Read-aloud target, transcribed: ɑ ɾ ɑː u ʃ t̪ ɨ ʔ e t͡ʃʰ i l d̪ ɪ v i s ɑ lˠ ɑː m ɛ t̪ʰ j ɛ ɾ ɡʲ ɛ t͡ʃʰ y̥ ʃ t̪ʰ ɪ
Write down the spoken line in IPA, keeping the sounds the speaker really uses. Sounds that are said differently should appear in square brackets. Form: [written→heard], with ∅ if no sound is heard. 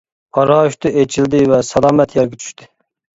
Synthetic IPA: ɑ ɾ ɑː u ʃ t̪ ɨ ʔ e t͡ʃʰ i l d̪ ɪ v [i→ɛ] s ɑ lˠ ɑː m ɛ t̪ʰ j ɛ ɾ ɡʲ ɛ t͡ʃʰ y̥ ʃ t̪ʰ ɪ